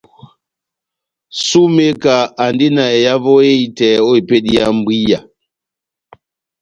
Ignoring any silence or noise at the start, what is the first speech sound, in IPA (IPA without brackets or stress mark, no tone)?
s